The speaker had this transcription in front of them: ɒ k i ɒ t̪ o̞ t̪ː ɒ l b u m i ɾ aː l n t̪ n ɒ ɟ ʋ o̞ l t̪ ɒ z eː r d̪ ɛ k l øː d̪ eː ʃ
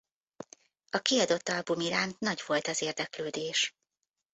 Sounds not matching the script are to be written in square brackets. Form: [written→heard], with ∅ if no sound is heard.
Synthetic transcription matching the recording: ɒ k i ɒ [t̪→d̪] o̞ t̪ː ɒ l b u m i ɾ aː [l→∅] n t̪ n ɒ ɟ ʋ o̞ l t̪ ɒ z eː r d̪ ɛ k l øː d̪ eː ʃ